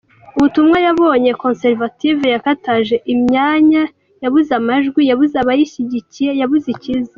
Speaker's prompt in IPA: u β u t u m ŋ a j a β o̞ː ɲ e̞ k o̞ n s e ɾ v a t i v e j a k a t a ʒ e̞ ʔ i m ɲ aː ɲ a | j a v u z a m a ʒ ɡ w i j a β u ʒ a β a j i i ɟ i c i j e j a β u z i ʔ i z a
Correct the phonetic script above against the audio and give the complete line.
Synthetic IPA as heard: u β u t u m ŋ a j a β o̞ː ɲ e̞ k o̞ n s e ɾ v a t i v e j a k a t a ʒ e̞ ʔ i m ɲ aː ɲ a | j a β u z a m a ʒ ɡ w i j a β u z a β a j i i ɟ i c i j e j a β u z i c i z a